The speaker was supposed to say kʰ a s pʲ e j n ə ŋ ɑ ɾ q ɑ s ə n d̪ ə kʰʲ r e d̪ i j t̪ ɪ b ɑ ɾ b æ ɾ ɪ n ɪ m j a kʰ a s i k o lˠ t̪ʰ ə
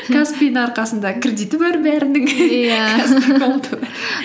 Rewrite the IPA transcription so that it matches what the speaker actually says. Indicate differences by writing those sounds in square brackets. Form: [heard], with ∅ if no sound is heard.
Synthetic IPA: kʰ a s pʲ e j n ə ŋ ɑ ɾ q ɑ s ə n d̪ [ɑ] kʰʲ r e d̪ i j t̪ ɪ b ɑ ɾ b æ ɾ ɪ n ɪ [ŋ] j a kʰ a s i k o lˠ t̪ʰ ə